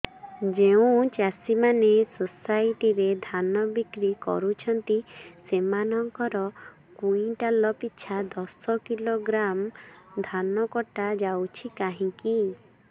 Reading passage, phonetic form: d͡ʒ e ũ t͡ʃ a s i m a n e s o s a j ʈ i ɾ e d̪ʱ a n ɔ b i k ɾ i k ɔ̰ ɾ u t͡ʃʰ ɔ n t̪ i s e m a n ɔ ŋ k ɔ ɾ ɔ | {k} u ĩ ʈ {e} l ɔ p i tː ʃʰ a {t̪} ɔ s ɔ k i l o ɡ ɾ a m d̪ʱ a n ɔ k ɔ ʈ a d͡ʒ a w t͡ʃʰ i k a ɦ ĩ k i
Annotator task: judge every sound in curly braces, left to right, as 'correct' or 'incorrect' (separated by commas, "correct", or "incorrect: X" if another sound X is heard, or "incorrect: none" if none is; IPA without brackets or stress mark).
correct, incorrect: a, incorrect: d̪